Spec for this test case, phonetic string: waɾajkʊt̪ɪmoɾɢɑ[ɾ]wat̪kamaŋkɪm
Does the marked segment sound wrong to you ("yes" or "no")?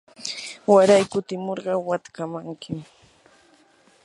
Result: yes